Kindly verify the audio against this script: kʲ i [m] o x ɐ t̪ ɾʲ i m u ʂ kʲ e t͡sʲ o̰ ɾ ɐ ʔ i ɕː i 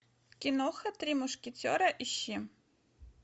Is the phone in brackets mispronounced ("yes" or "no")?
yes